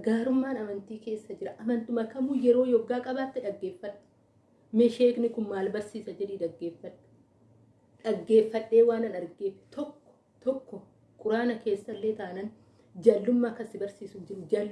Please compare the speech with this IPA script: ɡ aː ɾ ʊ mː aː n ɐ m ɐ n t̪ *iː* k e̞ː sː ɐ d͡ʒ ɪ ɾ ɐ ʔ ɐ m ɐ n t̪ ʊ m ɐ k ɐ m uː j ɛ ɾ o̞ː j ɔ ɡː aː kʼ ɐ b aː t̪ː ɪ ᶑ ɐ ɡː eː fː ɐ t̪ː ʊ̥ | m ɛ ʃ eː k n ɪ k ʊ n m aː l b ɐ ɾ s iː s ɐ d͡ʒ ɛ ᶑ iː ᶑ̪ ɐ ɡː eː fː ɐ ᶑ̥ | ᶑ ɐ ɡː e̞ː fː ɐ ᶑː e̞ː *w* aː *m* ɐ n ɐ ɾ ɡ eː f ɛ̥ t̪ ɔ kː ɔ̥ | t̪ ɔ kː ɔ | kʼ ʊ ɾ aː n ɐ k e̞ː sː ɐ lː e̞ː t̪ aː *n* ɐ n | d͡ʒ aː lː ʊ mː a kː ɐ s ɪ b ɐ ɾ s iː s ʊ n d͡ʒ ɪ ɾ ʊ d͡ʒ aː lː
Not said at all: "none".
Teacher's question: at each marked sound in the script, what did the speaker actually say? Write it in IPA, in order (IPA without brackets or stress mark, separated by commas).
iː, w, n, n